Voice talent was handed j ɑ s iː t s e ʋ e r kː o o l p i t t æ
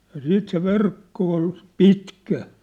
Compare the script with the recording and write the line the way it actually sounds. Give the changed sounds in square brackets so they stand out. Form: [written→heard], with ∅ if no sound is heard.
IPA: j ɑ s iː t s e ʋ e r kː o o l p i t [t→k] æ